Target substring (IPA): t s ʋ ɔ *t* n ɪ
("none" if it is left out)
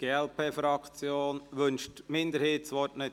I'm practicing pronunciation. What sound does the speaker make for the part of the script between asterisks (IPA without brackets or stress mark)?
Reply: t